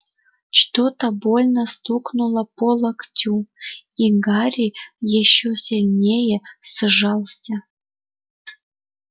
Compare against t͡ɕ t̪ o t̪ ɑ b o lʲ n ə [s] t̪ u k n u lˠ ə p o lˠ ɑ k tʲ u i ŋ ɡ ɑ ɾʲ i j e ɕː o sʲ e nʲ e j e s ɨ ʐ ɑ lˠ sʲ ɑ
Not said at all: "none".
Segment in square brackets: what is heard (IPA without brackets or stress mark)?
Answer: s